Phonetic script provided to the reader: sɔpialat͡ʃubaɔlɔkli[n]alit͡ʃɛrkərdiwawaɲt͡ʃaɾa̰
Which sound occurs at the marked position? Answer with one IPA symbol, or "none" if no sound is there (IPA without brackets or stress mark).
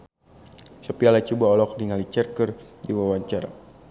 ŋ